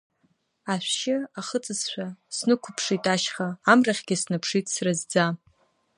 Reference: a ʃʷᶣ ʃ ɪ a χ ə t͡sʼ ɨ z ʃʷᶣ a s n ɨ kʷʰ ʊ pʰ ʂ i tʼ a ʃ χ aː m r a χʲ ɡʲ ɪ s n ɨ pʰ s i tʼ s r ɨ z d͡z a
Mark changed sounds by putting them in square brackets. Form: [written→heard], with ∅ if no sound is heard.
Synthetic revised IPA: a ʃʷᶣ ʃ ɪ a χ ə t͡sʼ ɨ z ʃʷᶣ a s n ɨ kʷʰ ʊ pʰ ʂ i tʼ a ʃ χ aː m r a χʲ ɡʲ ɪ s n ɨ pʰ [s→ʂ] i tʼ s r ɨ z d͡z a